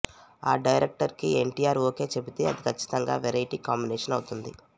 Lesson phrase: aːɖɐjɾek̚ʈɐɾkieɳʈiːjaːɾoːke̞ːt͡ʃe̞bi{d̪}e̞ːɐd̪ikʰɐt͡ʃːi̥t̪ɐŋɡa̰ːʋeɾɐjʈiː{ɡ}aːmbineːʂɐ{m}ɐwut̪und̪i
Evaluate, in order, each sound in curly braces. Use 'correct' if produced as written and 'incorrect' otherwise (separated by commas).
incorrect, incorrect, incorrect